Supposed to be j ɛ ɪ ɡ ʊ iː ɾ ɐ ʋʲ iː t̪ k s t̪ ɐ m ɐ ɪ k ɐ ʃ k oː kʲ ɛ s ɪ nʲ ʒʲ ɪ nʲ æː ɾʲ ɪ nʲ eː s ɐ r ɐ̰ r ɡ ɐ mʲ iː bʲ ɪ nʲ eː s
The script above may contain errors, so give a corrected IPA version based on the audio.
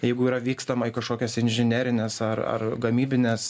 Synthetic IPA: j ɛ ɪ ɡ ʊ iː ɾ ɐ ʋʲ iː k s t̪ ɐ m ɐ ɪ k ɐ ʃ k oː kʲ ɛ s ɪ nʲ ʒʲ ɪ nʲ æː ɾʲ ɪ nʲ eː s ɐ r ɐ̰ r ɡ ɐ mʲ iː bʲ ɪ nʲ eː s

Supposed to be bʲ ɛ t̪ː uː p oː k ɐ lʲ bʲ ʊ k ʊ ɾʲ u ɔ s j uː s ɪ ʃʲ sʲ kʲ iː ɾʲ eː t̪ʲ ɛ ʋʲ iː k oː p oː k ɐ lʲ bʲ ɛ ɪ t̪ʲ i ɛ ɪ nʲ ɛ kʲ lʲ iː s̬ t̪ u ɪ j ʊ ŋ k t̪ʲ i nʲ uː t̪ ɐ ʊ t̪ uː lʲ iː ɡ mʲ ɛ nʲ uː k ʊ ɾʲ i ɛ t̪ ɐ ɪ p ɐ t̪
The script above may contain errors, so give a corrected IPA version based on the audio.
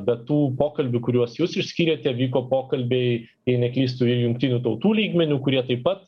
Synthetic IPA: bʲ ɛ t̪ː uː p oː k ɐ lʲ bʲ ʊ k ʊ ɾʲ u ɔ s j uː s ɪ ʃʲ sʲ kʲ iː ɾʲ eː t̪ʲ ɛ ʋʲ iː k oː p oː k ɐ lʲ bʲ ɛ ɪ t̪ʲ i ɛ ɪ nʲ ɛ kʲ lʲ iː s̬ t̪ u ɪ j ʊ ŋ k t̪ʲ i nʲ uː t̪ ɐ ʊ t̪ uː lʲ iː ɡ mʲ ɛ nʲ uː k ʊ ɾʲ i ɛ t̪ ɐ ɪ p ɐ t̪

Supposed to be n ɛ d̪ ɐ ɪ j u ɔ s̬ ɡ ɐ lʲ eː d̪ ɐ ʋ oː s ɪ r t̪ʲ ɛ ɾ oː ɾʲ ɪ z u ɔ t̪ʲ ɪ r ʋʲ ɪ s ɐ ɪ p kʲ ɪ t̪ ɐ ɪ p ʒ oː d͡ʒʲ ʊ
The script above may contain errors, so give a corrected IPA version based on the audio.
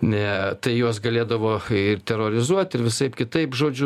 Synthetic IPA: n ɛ t̪ ɐ ɪ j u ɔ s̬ ɡ ɐ lʲ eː d̪ ɐ ʋ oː ɪ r t̪ʲ ɛ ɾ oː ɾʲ ɪ z u ɔ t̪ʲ ɪ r ʋʲ ɪ s ɐ ɪ p kʲ ɪ t̪ ɐ ɪ p ʒ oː d͡ʒʲ ʊ

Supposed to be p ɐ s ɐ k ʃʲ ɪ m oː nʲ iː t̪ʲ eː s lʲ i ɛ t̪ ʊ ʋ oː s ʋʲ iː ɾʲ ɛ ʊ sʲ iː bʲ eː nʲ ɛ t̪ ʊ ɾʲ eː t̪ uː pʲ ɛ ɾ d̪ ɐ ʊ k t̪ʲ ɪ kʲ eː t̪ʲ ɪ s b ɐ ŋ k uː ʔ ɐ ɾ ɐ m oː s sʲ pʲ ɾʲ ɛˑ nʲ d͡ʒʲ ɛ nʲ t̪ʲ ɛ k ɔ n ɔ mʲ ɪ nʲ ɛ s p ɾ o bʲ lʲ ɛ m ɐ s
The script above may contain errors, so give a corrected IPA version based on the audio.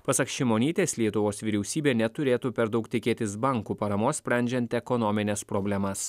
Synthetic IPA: p ɐ s ɐ k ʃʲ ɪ m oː nʲ iː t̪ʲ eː s lʲ i ɛ t̪ ʊ ʋ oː s ʋʲ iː ɾʲ ɛ ʊ sʲ iː bʲ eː nʲ ɛ t̪ ʊ ɾʲ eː t̪ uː pʲ ɛ ɾ d̪ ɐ ʊ k t̪ʲ ɪ kʲ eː t̪ʲ ɪ s b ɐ ŋ k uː p ɐ ɾ ɐ m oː s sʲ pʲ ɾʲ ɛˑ nʲ d͡ʒʲ ɛ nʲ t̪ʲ ɛ k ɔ n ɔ mʲ ɪ nʲ ɛ s p ɾ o bʲ lʲ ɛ m ɐ s

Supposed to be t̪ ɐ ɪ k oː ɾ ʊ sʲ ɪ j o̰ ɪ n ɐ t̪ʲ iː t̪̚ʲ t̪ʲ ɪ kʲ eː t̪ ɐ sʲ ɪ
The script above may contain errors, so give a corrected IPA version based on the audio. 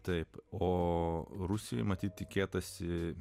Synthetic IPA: t̪ ɐ ɪ p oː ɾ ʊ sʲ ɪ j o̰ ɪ m ɐ t̪ʲ iː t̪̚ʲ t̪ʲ ɪ kʲ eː t̪ ɐ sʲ ɪ

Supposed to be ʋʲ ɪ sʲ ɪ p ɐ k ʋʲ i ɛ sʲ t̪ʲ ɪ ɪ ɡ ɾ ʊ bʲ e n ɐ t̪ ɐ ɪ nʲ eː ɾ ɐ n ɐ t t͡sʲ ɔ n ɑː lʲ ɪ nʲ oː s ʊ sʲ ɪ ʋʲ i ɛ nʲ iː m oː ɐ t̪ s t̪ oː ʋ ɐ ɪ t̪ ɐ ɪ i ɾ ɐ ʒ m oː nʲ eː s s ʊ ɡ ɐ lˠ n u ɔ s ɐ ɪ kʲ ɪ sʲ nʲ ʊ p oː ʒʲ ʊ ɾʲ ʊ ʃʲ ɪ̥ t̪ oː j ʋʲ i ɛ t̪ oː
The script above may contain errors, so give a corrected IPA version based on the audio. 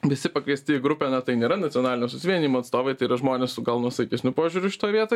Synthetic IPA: ʋʲ ɪ sʲ ɪ p ɐ k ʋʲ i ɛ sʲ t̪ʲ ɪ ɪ ɡ ɾ ʊ pʲ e n ɐ t̪ ɐ ɪ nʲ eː ɾ ɐ n ɐ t t͡sʲ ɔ n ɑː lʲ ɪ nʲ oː s ʊ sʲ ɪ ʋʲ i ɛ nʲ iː m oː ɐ t̪ s t̪ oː ʋ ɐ ɪ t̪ ɐ ɪ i ɾ ɐ ʒ m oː nʲ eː s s ʊ ɡ ɐ lˠ n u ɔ s ɐ ɪ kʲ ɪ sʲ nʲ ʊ p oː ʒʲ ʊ ɾʲ ʊ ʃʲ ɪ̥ t̪ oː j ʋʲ i ɛ t̪ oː

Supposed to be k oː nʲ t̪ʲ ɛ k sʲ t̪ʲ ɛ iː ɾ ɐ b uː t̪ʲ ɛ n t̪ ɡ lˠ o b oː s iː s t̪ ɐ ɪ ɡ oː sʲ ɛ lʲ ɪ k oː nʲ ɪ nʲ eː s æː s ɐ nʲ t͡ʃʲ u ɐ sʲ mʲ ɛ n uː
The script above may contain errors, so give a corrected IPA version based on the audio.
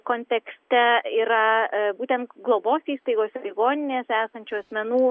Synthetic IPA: k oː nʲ t̪ʲ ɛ k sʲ t̪ʲ ɛ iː ɾ ɐ b uː t̪ʲ ɛ n t̪ ɡ lˠ o b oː s iː s t̪ ɐ ɪ ɡ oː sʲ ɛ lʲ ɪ ɡ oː nʲ ɪ nʲ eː s æː s ɐ nʲ t͡ʃʲ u ɐ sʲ mʲ ɛ n uː

